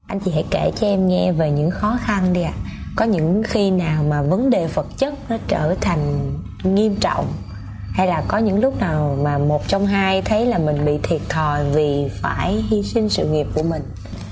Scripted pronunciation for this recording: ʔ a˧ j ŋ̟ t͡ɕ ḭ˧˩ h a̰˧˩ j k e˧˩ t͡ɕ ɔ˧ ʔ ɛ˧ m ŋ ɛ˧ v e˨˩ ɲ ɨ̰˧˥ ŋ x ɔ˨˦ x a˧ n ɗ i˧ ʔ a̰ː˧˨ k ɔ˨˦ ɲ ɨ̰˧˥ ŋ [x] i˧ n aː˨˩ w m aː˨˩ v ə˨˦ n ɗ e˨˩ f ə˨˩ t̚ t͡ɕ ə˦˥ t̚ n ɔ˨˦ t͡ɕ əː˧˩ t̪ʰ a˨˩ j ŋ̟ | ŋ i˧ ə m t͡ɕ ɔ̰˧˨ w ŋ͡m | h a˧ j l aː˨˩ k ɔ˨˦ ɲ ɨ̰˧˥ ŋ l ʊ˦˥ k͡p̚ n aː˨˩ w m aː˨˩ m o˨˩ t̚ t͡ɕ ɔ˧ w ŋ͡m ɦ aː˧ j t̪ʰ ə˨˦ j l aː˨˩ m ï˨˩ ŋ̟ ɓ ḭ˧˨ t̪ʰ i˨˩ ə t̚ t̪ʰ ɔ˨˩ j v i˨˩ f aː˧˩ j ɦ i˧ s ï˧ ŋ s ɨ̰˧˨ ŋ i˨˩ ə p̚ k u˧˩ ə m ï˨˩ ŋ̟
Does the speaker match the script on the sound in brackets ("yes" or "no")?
yes